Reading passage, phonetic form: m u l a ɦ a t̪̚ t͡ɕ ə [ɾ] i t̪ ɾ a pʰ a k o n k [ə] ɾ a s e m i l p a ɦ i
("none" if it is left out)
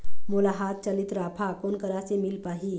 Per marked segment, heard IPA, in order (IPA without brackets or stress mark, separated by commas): l, ə